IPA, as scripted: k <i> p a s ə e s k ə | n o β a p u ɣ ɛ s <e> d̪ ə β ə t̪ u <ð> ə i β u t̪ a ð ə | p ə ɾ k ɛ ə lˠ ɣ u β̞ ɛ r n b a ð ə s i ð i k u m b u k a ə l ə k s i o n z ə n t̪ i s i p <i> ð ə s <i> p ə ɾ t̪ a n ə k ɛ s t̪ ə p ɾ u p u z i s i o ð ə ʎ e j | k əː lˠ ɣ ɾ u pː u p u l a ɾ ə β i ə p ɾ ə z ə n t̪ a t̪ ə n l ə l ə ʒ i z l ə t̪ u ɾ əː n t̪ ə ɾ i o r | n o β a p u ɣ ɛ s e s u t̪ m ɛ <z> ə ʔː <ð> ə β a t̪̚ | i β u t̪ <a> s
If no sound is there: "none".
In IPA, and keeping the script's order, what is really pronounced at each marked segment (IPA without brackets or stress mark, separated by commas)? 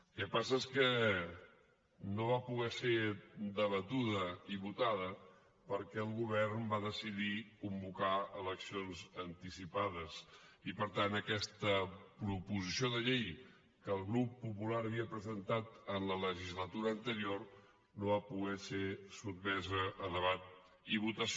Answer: ɛ, e, ð, a, i, z, ð, ə